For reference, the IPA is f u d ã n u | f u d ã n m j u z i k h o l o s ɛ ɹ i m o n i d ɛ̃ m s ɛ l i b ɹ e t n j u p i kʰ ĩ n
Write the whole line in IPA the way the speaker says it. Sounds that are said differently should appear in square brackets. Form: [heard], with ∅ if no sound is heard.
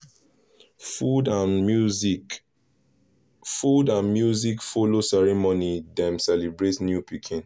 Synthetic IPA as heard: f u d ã n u | f u d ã n m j u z i k [f] o l o s ɛ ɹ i m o n i d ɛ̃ m s ɛ l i b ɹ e t n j u p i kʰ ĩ n